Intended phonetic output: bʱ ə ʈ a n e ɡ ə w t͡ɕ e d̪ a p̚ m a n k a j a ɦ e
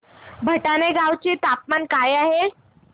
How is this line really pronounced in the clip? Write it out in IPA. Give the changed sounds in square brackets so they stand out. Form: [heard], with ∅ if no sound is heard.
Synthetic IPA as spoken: bʱ ə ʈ a n e ɡ [a] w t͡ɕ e [t̪] a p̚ m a n k a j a ɦ e